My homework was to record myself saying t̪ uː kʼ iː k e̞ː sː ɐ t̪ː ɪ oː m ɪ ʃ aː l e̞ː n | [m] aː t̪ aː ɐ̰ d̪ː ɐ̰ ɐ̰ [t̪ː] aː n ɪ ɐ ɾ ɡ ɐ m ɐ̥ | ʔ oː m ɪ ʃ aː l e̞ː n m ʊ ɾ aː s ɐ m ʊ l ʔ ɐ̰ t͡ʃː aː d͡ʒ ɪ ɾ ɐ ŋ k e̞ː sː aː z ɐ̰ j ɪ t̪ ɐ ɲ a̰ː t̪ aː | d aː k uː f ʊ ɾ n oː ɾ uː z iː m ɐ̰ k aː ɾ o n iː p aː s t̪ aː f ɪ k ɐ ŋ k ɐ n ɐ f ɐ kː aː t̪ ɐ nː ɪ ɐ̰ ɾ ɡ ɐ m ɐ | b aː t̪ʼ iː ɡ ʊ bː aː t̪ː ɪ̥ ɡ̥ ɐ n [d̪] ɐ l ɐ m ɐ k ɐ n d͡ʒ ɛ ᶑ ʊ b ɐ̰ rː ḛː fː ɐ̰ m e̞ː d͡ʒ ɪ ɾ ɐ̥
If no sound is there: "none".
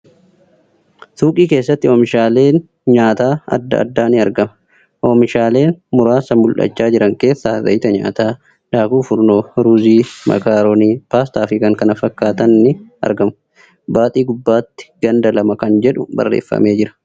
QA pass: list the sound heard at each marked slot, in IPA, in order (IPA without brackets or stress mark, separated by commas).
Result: ɲ, d̪ː, d̪